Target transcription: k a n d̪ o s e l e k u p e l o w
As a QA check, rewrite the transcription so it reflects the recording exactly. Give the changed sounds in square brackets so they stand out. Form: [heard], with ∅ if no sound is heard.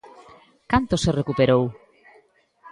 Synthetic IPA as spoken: k a n [t̪] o s e [r] e k u p e [ɾ] o w